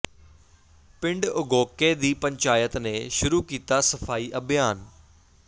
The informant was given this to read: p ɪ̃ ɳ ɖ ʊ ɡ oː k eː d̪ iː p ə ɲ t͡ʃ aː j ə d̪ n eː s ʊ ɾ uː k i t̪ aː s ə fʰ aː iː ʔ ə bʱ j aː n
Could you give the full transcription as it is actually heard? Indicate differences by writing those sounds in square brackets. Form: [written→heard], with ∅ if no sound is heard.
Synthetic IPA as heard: p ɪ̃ ɳ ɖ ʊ ɡ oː k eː d̪ iː p ə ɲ t͡ʃ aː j ə [d̪→t̪] n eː [s→ʃ] ʊ ɾ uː k [i→iː] t̪ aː s ə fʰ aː iː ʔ ə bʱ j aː n